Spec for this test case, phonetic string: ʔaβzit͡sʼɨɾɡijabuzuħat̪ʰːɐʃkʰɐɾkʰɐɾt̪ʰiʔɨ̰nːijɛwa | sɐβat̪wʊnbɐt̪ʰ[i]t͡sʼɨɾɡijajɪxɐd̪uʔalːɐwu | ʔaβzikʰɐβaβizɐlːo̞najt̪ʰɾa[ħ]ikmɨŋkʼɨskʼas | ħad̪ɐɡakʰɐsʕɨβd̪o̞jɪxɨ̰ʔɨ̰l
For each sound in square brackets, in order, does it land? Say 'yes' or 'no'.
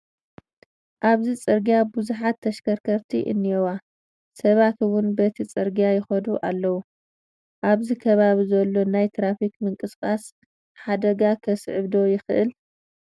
yes, no

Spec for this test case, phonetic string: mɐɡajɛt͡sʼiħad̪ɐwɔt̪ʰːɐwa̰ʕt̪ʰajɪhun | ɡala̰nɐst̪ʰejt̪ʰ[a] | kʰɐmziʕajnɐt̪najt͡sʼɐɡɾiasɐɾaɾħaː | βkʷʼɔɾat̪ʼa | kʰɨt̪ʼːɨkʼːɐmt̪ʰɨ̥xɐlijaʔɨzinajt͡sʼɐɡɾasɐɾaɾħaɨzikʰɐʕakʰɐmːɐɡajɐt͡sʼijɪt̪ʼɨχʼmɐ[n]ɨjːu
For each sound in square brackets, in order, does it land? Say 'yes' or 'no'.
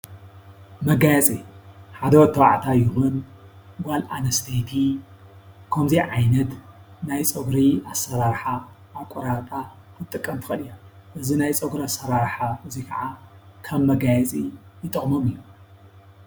no, no

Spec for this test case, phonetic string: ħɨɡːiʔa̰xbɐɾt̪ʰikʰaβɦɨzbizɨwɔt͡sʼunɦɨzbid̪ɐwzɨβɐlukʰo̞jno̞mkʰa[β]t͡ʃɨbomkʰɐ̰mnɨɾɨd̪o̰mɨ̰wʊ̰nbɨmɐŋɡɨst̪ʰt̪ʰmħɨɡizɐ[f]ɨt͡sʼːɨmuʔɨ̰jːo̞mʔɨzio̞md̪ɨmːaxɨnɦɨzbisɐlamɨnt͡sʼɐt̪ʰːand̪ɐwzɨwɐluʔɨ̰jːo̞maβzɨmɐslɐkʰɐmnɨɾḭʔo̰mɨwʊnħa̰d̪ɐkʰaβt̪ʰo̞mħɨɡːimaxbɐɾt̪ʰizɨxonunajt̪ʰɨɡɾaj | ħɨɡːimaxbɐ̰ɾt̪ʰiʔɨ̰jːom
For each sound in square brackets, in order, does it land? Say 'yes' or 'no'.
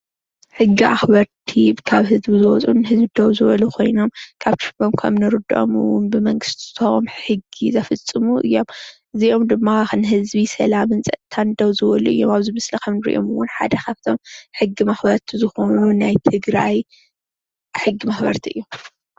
yes, yes

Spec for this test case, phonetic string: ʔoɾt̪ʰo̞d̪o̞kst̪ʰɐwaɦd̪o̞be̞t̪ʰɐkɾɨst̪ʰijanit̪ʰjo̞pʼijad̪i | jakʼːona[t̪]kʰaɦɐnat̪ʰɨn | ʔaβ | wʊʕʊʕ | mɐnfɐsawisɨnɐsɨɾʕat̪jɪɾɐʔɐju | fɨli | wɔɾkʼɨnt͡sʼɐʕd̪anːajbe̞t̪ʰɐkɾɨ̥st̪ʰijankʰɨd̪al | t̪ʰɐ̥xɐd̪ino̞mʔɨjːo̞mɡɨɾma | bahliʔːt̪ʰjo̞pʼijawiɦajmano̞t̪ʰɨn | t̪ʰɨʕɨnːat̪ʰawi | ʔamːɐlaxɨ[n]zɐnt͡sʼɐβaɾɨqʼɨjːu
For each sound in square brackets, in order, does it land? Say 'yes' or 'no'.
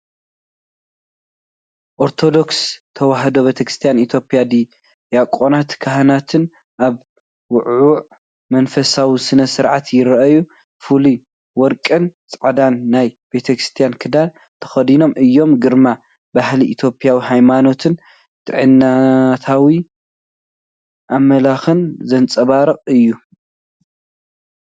yes, yes

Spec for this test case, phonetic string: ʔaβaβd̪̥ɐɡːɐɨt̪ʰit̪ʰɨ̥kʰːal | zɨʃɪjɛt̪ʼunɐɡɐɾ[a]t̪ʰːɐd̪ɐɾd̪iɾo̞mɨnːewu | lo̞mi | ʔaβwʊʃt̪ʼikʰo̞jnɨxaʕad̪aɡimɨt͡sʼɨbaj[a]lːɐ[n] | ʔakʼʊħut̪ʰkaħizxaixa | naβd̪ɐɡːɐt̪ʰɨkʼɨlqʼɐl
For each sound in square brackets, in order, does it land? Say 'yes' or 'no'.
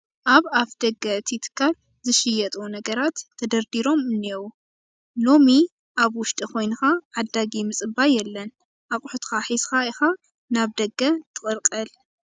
yes, no, yes

